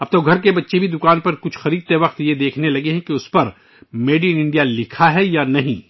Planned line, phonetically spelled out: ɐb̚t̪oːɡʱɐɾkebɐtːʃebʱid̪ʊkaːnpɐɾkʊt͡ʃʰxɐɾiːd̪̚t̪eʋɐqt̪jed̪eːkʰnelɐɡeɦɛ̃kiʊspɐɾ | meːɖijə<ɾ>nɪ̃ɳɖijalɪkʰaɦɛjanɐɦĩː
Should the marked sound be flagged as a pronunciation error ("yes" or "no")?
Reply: yes